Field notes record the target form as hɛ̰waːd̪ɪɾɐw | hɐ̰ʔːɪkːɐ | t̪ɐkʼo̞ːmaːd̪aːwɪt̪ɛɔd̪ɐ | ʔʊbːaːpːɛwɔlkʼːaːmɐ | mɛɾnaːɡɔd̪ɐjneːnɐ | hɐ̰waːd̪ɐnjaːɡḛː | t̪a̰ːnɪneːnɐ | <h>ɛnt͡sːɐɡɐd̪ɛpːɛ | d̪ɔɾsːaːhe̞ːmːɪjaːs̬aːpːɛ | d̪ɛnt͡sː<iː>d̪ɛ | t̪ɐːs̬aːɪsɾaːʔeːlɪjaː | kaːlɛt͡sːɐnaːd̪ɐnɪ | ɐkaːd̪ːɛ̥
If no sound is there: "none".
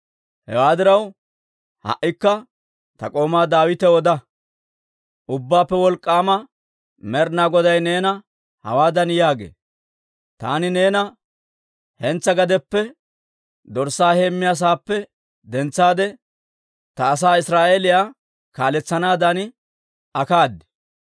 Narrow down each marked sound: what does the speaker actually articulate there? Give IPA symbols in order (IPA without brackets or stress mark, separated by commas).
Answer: h, aː